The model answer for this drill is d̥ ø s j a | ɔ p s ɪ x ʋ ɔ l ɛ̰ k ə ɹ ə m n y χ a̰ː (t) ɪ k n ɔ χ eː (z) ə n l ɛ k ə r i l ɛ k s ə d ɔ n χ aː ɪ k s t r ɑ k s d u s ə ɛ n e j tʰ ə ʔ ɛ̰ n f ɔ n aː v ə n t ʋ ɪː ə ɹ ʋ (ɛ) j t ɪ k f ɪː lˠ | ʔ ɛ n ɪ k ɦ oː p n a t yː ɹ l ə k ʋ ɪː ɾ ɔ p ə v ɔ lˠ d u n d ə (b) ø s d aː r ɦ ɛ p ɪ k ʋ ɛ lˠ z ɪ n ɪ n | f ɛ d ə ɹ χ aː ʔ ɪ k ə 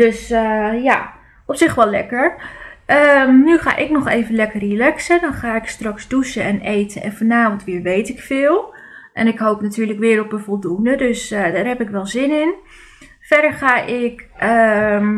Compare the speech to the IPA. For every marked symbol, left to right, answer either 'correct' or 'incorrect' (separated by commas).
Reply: incorrect, incorrect, incorrect, incorrect